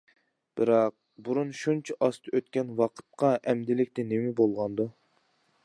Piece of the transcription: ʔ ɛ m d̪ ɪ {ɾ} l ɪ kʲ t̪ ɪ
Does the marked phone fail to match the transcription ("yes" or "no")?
yes